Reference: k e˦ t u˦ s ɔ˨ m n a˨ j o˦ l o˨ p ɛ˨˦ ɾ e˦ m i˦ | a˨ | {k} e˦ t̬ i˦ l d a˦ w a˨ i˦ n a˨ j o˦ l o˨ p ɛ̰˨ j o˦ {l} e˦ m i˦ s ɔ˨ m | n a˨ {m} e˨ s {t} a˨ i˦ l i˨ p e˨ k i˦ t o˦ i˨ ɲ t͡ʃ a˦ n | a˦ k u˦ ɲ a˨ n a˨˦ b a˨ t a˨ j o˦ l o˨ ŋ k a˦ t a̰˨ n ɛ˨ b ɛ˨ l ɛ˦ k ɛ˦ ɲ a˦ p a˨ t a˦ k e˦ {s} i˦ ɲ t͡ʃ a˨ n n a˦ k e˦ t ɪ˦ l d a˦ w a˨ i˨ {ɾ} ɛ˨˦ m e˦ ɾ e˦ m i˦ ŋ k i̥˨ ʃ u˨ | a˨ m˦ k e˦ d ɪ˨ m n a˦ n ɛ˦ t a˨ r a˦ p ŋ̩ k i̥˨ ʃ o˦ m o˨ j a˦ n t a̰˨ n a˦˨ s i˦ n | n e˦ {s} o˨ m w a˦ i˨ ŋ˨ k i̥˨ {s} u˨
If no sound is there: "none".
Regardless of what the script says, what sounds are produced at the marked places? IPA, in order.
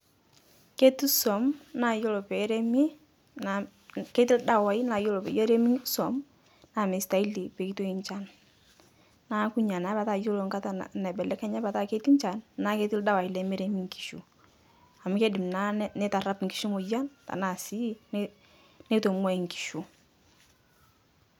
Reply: k, ɾ, m, t, t, l, t, ʃ

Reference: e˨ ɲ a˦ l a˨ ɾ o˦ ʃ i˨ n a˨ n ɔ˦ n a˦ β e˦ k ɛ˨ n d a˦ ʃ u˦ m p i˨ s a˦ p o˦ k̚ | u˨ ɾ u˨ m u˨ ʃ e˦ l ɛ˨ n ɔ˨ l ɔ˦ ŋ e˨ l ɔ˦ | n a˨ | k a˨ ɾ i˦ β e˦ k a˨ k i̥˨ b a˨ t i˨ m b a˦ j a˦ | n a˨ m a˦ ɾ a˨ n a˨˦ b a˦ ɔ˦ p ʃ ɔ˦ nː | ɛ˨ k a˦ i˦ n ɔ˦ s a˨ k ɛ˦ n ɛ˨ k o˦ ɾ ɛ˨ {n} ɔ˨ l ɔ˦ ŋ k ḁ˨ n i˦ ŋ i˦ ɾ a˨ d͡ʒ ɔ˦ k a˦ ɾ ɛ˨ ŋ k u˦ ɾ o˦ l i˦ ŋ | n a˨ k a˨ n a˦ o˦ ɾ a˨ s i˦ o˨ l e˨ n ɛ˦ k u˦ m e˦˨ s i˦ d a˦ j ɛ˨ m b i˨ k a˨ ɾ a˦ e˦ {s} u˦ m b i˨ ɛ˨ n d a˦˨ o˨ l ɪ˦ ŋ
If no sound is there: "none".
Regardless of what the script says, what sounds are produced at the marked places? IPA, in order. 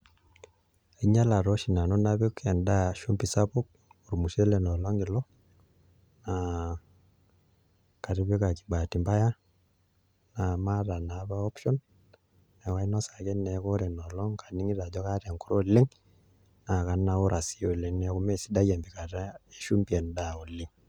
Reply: n, ʃ

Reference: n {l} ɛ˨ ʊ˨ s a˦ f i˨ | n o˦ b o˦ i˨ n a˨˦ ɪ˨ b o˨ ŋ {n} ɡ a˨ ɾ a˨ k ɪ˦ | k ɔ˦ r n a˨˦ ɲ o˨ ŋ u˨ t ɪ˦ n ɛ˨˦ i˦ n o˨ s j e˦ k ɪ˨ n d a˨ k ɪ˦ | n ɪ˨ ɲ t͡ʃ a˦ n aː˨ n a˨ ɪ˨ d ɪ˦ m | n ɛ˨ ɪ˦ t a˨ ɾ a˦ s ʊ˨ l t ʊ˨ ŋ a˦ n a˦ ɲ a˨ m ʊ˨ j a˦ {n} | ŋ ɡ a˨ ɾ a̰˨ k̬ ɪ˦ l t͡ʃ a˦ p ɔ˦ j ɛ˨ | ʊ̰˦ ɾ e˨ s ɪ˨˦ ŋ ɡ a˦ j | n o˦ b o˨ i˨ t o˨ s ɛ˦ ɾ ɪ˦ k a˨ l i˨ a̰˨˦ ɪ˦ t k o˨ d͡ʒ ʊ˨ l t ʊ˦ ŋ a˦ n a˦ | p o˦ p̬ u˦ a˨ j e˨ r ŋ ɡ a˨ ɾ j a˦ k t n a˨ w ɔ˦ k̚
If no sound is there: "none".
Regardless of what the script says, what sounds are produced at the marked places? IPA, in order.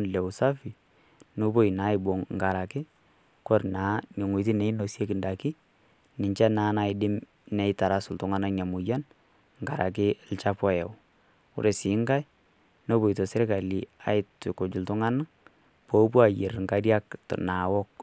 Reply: l, ŋ, n

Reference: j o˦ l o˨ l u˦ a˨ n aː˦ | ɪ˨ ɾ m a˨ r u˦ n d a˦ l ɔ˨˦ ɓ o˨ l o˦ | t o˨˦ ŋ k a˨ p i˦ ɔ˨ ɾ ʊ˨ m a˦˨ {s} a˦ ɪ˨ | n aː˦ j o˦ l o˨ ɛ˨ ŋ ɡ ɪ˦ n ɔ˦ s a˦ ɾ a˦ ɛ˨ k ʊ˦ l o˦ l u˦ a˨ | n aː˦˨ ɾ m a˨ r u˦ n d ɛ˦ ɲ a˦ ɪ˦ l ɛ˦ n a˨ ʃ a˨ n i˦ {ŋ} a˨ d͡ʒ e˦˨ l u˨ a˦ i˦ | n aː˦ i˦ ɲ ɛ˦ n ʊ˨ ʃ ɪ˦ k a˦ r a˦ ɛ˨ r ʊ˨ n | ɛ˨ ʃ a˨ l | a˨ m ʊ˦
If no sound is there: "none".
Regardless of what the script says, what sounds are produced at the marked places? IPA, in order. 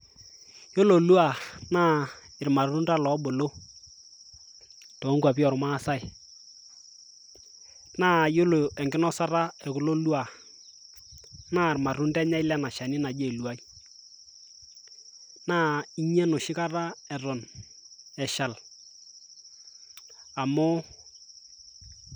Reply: s, n

